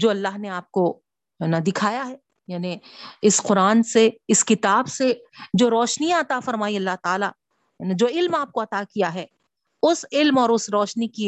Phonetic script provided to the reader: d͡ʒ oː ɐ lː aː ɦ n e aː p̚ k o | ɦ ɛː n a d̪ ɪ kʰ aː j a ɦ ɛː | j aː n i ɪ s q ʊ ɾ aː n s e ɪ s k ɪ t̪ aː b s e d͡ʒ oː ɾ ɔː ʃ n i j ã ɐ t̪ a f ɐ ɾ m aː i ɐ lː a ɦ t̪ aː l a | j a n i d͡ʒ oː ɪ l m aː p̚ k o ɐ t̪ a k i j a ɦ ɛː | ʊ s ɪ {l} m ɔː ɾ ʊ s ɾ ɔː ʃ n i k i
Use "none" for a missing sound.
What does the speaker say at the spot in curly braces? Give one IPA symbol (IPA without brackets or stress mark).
l